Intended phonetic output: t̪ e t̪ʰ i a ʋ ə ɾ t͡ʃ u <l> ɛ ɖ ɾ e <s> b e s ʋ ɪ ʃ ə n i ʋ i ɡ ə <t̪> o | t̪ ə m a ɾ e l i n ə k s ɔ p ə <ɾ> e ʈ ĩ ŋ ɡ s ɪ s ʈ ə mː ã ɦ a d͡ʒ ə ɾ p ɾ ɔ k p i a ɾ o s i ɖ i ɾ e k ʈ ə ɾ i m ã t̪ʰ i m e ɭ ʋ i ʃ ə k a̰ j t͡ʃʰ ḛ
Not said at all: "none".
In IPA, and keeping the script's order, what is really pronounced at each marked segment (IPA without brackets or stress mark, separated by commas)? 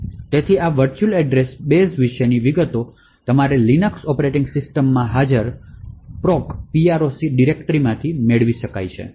l, s, t̪, ɾ